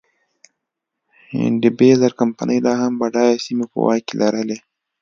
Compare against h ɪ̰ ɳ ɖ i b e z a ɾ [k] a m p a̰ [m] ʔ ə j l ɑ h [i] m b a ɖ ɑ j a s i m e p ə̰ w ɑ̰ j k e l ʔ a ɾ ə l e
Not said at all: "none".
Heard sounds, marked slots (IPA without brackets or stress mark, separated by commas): k, n, a